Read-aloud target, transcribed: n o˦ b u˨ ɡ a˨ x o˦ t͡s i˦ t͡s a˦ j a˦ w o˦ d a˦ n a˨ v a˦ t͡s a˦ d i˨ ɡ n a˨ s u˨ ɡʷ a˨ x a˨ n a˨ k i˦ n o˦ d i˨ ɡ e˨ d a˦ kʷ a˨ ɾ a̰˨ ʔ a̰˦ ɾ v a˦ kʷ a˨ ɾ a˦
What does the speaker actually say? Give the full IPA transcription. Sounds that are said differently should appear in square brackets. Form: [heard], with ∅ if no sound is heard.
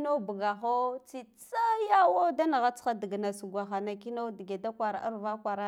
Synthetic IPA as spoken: n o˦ b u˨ ɡ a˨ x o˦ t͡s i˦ t͡s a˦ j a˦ w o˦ d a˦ n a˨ [ɣ] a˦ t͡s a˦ d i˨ ɡ n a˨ s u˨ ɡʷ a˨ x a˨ n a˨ k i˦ n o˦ d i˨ ɡ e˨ d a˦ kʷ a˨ ɾ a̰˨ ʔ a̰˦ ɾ v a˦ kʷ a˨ ɾ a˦